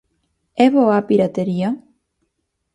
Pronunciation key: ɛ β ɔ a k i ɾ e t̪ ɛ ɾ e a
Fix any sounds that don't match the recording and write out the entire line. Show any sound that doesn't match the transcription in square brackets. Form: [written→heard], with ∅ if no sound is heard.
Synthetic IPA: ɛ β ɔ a [k→p] i ɾ [e→a] t̪ [ɛ→e] ɾ [e→i] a